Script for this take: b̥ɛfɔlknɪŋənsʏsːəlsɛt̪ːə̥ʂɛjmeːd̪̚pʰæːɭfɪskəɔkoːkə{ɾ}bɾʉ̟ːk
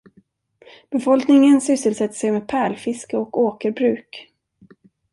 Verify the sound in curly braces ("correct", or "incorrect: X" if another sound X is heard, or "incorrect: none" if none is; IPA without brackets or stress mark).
correct